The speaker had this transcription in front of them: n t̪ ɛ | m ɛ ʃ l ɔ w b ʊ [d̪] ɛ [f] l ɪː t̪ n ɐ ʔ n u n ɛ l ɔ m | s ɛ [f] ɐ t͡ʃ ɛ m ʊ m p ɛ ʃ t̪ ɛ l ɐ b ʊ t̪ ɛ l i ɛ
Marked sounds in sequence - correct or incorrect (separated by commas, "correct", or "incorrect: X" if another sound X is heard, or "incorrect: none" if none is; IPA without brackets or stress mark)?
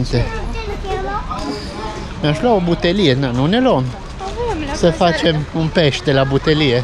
incorrect: t̪, incorrect: none, correct